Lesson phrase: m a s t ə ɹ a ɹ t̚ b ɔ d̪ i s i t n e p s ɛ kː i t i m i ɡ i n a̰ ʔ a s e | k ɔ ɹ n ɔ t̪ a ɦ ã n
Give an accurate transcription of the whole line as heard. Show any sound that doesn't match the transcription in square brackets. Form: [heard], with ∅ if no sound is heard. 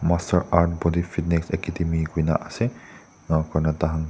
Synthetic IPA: m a s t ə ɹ a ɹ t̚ b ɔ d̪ i [f] i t n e [k] s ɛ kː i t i m i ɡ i n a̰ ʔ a s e | k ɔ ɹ n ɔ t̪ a ɦ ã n